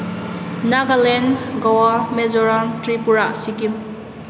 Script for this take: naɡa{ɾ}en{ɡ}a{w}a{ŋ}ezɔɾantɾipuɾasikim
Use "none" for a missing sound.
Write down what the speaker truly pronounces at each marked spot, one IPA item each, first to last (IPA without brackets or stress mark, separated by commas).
l, ɡ, w, m